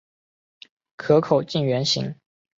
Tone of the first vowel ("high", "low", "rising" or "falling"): rising